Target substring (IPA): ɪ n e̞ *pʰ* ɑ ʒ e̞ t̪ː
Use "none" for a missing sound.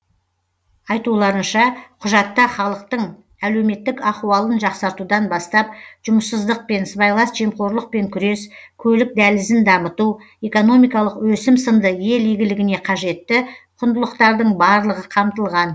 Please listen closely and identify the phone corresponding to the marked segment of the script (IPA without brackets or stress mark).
qʰ